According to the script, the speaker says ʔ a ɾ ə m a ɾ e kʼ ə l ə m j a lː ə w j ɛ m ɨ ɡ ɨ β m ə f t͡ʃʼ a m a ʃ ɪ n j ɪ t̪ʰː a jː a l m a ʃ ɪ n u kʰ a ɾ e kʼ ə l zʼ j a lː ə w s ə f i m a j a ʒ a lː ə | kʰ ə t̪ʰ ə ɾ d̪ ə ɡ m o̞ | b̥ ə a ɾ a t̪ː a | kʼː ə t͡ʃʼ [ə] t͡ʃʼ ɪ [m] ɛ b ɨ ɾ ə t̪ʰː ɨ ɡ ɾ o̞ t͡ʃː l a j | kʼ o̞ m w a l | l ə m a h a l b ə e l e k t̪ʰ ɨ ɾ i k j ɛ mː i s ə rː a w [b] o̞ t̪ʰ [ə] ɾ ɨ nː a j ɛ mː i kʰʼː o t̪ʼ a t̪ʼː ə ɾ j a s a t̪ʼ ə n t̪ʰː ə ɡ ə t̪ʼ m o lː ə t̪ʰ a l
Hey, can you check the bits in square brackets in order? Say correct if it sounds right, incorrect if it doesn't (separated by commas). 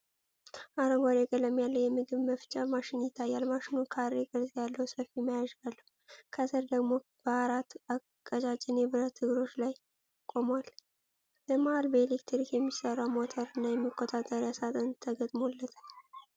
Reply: incorrect, incorrect, incorrect, correct